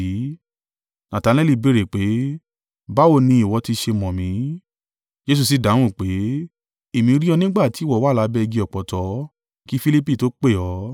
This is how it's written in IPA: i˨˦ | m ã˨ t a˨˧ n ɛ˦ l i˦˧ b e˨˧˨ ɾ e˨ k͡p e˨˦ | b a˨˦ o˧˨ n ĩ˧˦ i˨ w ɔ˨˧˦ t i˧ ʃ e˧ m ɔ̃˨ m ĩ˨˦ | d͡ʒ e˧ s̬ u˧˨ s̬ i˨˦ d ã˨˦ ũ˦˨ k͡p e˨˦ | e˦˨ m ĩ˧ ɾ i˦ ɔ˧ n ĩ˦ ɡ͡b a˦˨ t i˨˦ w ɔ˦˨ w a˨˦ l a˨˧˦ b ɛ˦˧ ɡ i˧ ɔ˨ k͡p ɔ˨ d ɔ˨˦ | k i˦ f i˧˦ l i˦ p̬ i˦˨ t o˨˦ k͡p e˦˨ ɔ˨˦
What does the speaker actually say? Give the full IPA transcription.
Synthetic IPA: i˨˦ | n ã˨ t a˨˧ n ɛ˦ l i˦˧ b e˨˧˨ ɾ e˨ k͡p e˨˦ | b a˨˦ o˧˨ n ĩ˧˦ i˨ w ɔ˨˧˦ t i˧ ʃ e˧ m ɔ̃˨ m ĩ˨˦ | d͡ʒ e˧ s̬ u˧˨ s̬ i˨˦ d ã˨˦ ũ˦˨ k͡p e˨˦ | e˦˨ m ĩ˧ ɾ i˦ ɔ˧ n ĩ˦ ɡ͡b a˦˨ t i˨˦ w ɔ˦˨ w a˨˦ l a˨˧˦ b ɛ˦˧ ɡ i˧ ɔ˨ k͡p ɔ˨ t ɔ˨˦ | k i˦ f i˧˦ l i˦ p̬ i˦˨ t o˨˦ k͡p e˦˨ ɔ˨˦